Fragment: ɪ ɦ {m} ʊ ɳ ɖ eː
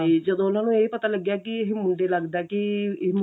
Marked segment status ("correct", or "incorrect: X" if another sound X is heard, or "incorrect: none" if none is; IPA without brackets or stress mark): correct